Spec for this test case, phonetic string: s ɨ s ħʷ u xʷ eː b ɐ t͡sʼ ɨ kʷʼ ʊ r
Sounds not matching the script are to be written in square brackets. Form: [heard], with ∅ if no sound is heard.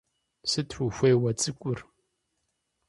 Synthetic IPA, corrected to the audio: s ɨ [t] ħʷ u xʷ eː [w] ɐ t͡sʼ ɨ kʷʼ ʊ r